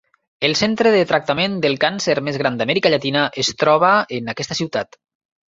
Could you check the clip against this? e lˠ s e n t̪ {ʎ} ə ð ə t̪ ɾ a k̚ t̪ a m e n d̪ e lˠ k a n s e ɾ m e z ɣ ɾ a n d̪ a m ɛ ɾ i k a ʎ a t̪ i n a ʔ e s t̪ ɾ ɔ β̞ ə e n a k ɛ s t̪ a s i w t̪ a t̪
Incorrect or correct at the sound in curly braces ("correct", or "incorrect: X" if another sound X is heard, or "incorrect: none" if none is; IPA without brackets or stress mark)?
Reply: incorrect: ɾ